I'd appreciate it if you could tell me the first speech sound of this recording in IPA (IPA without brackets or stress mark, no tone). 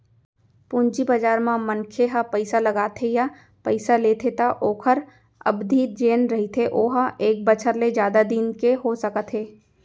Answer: p